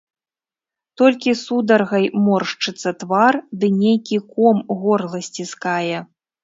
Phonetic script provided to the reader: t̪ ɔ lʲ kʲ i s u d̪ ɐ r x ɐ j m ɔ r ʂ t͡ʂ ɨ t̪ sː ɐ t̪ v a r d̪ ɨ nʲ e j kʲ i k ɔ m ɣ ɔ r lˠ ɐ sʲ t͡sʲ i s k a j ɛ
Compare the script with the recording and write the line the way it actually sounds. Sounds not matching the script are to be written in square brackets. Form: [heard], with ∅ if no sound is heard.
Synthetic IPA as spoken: t̪ ɔ lʲ kʲ i s u d̪ ɐ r [ɣ] ɐ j m ɔ r ʂ t͡ʂ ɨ t̪ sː ɐ t̪ v a r d̪ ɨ nʲ e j kʲ i k ɔ m ɣ ɔ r lˠ ɐ sʲ t͡sʲ i s k a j ɛ